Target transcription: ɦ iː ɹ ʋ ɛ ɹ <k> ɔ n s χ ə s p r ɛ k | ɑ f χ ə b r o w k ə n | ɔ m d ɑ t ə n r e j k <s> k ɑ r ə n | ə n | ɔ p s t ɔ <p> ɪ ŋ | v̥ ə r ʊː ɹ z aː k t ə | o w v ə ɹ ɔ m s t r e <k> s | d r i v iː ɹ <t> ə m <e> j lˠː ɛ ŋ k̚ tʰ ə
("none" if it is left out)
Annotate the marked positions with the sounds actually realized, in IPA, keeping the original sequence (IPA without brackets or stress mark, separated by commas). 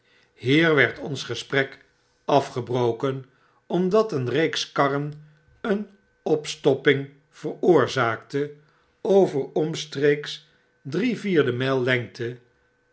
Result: t, s, p, k, d, ɛ